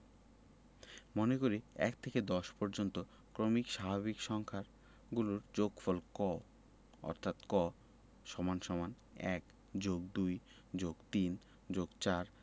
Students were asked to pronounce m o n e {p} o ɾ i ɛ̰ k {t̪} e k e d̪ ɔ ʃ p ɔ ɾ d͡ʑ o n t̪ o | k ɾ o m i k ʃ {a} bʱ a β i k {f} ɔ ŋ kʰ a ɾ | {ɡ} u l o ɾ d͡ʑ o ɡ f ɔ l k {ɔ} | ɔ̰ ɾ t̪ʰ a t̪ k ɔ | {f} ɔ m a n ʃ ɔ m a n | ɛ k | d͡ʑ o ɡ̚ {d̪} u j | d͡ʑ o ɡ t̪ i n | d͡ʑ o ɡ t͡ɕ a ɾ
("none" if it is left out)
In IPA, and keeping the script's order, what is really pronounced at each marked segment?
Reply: k, t̪ʰ, a, ʃ, ɡ, ɔ, ʃ, d̪

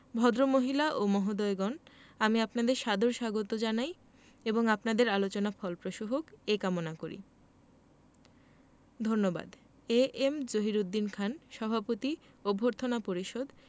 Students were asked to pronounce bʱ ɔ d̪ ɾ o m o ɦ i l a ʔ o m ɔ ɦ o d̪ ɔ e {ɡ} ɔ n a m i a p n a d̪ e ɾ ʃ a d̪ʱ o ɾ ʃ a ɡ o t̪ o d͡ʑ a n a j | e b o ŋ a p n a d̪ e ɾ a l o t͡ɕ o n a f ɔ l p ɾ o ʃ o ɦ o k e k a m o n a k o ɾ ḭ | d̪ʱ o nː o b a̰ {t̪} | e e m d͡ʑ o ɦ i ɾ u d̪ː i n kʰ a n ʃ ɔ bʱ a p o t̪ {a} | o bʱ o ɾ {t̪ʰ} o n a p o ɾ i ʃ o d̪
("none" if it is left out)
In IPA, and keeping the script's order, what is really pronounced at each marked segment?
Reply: ɡ, d̪, i, t̪ʰ

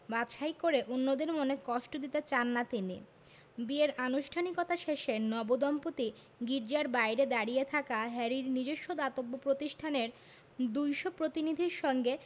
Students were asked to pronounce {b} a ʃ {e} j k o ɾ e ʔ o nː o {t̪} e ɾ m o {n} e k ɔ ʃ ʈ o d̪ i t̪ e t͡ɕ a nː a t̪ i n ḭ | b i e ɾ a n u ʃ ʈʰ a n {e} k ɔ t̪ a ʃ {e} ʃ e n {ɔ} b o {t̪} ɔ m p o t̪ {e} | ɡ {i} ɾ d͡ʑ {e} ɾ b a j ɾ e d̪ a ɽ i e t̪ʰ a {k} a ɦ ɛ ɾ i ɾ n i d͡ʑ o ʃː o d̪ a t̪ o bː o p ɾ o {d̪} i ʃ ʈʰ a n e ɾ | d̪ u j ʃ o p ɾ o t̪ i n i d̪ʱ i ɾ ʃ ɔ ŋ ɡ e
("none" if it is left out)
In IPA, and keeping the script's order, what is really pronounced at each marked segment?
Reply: b, a, d̪, n, i, e, ɔ, d̪, i, i, a, k, t̪

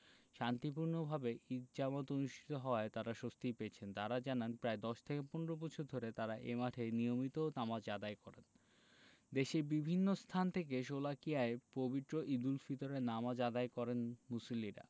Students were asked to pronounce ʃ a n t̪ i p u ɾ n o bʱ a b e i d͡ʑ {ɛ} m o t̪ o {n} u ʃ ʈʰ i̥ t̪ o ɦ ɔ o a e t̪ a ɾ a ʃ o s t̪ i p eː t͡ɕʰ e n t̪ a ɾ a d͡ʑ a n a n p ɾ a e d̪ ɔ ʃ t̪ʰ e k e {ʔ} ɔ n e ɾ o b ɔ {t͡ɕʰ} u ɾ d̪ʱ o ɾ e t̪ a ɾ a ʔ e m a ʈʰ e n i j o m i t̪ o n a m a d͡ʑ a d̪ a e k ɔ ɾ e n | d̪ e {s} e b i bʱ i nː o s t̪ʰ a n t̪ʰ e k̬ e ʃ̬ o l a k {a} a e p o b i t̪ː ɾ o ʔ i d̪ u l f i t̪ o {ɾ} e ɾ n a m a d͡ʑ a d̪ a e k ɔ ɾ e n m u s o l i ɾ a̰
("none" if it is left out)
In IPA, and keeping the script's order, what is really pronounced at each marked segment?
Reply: a, n, p, t͡ɕʰ, ʃ, i, ɾ

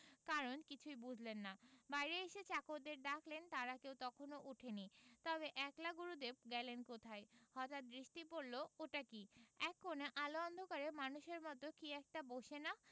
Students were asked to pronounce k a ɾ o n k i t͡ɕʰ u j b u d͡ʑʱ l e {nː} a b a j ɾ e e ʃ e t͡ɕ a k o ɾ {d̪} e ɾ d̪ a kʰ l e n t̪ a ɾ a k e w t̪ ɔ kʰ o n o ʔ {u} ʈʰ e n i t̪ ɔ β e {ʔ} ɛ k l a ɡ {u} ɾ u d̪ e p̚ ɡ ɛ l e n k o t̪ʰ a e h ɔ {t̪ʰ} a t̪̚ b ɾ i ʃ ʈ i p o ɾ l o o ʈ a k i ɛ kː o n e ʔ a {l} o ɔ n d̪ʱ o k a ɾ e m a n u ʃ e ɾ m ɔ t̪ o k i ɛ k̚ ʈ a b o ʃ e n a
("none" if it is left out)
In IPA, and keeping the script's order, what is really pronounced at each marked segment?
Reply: nː, d̪, u, ʔ, u, t̪, l

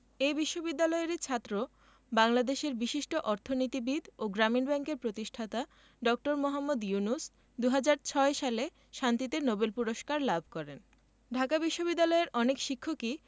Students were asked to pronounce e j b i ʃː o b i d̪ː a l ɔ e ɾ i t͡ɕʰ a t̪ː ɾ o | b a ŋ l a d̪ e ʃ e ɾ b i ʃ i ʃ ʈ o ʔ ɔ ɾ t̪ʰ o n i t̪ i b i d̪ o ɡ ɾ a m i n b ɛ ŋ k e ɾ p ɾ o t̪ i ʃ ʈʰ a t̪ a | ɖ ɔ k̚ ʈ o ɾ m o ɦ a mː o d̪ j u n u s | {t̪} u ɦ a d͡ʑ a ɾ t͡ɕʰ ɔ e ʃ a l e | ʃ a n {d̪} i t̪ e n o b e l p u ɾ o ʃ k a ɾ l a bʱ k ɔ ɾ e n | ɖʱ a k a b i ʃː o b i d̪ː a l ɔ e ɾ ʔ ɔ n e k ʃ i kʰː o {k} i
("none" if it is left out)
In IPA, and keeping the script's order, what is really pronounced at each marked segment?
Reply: d̪, t̪, k

